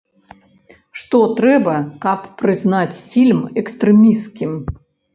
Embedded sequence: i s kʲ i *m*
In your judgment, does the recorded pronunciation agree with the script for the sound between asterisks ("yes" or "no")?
yes